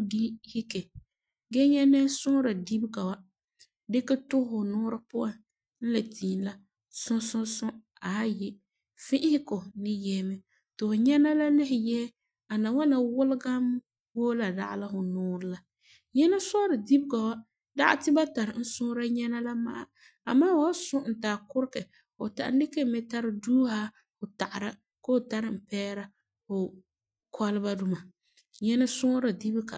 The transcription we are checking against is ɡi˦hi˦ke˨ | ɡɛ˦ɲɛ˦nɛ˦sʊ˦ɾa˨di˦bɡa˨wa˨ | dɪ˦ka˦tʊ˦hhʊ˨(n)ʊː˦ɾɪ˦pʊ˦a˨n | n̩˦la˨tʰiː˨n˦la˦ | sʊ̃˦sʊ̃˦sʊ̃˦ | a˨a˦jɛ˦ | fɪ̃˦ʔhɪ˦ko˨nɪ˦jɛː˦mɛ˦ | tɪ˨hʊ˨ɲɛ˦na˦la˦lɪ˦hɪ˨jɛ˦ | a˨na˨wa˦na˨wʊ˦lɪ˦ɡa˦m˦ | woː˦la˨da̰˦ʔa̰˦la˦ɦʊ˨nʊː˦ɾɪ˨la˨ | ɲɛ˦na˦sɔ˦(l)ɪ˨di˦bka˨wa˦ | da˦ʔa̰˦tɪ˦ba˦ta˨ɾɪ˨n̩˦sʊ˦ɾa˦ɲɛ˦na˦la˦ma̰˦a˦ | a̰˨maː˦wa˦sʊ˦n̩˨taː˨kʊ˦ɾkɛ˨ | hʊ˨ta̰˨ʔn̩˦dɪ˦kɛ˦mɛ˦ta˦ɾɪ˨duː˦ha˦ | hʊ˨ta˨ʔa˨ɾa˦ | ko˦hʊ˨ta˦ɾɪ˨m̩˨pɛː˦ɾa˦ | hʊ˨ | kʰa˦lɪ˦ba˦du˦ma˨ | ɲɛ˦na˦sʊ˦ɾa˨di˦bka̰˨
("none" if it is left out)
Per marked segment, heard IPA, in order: n, ɾ

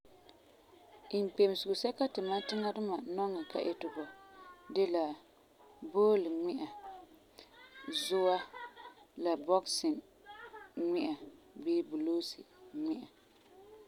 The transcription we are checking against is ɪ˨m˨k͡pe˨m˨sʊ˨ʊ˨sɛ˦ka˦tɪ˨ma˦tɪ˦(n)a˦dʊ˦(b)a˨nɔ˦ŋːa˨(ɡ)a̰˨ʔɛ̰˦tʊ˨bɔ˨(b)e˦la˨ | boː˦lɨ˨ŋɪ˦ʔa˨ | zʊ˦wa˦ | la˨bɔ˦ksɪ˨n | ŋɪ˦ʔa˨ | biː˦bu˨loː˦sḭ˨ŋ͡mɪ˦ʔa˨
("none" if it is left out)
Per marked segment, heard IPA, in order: ŋ, m, k, d

